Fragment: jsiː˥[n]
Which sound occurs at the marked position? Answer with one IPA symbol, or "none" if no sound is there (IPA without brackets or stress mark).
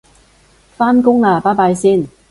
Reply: n